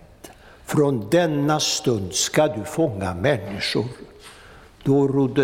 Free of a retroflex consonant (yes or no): no